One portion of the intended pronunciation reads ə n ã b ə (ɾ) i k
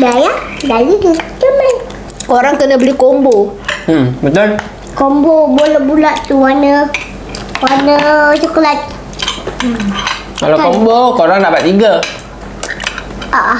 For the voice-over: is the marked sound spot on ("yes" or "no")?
no